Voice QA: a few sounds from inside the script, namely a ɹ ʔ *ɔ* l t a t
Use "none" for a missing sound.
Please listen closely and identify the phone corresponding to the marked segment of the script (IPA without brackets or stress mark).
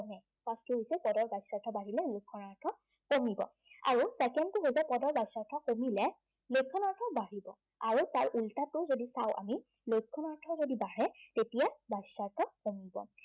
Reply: u